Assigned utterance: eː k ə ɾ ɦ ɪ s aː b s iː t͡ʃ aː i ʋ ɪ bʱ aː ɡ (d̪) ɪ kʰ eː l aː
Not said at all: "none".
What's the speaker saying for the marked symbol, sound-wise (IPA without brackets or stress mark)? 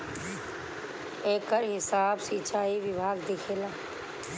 d̪